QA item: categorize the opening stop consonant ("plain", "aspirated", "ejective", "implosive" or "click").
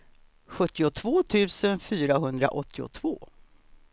plain